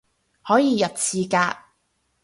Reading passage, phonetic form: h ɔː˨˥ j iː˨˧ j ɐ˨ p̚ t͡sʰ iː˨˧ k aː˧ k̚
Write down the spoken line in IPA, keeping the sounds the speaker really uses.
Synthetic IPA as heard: h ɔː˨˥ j iː˨˧ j ɐ˨ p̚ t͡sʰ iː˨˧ k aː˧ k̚